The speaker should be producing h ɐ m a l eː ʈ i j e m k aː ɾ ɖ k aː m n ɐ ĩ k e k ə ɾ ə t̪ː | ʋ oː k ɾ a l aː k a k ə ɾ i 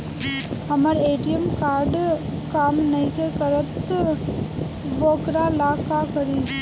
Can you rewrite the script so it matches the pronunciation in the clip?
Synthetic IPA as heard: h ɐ m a ɾ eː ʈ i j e m k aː ɾ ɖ k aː m n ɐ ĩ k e k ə ɾ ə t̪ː | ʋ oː k ɾ a l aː k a k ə ɾ i